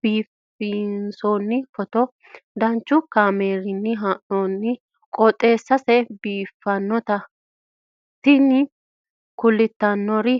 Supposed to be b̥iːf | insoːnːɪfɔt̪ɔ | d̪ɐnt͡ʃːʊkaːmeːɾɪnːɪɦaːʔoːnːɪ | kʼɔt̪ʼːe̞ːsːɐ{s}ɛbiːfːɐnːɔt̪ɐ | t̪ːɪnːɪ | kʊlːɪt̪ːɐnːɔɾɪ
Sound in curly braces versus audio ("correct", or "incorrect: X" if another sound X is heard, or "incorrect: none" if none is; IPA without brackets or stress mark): correct